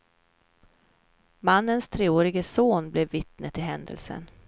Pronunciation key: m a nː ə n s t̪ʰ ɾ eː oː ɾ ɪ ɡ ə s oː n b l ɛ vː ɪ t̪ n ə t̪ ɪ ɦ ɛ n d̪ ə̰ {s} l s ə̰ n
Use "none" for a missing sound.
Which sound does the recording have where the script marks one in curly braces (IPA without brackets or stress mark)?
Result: none